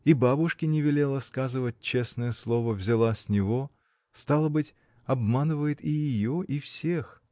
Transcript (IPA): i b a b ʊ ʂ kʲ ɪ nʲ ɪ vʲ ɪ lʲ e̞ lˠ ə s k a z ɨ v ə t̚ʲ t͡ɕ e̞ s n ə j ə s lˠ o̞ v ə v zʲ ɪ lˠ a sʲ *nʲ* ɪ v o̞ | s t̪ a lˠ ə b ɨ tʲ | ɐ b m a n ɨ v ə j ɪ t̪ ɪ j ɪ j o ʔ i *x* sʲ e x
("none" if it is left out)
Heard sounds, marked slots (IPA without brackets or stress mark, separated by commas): nʲ, f